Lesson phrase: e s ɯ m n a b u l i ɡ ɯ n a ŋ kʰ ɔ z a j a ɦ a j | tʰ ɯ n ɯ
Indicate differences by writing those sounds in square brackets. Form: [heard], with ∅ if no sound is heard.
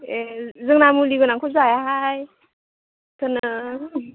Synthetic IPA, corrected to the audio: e [z] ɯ [ŋ] n a [m] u l i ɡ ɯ n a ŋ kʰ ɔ z a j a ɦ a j | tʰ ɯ n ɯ

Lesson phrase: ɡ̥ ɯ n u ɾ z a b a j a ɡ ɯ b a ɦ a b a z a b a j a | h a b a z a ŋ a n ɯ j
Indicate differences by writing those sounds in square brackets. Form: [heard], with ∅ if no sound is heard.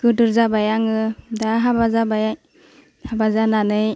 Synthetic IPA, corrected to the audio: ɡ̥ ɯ [d] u ɾ z a b a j a [ŋ] ɯ [d] a ɦ a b a z a b a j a | h a b a z a [n] a n ɯ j

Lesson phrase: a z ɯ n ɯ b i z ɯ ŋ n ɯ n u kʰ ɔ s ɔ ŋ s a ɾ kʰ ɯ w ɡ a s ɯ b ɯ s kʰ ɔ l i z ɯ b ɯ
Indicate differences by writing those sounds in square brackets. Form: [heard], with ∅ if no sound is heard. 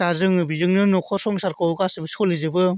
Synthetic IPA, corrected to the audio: a z ɯ [ŋ] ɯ b i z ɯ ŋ n ɯ n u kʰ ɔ s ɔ ŋ s a ɾ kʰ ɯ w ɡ a s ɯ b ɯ s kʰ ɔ l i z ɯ b ɯ

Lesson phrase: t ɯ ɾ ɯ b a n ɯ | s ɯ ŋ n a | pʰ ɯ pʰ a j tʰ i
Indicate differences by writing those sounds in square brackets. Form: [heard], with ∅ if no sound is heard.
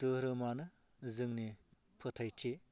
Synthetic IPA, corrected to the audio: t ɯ ɾ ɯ [m] a n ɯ | [z] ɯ ŋ n [i] | pʰ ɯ [tʰ] a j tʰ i

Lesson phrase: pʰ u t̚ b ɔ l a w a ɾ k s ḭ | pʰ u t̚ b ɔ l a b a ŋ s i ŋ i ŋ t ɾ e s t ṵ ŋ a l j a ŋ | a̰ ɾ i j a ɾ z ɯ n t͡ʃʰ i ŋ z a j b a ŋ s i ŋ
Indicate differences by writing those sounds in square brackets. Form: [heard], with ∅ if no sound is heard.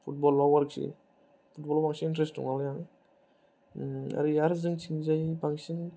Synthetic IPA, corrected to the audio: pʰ u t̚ b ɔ l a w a ɾ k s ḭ | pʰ u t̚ b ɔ l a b a ŋ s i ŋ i [n] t ɾ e s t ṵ ŋ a l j a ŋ | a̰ ɾ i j a ɾ z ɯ [ŋ] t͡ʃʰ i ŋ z a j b a ŋ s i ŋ

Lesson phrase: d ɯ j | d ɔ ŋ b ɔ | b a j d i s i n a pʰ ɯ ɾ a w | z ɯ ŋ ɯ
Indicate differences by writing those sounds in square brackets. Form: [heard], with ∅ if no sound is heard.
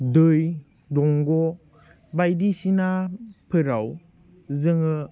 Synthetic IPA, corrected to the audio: d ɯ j | d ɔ ŋ [ɡ] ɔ | b a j d i s i n a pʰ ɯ ɾ a w | z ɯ ŋ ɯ

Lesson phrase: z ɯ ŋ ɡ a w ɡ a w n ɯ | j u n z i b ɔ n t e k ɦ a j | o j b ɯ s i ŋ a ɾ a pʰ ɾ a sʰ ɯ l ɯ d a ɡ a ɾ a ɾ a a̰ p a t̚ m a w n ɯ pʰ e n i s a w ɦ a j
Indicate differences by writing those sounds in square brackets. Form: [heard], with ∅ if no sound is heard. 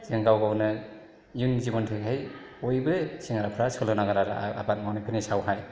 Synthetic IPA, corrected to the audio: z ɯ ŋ ɡ a w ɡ a w n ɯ | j u n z i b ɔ n [tʰ] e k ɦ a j | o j b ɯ s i ŋ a ɾ a pʰ ɾ a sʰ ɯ l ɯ [n] a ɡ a ɾ a ɾ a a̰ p a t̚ m a w n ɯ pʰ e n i s a w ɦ a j

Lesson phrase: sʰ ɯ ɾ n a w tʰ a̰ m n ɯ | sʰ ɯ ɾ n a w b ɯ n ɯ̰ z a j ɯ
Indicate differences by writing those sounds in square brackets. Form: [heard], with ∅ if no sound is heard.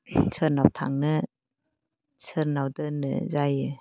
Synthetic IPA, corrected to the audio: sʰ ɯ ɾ n a w tʰ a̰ [ŋ] n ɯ | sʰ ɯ ɾ n a w [d] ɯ n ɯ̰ z a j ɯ

